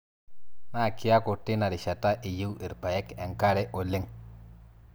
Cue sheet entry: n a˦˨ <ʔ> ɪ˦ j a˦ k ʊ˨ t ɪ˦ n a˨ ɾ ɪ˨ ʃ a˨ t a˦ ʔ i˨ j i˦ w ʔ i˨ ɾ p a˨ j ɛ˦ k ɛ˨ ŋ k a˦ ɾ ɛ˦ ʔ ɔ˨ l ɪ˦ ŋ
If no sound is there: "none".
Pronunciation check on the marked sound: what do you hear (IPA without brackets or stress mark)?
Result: k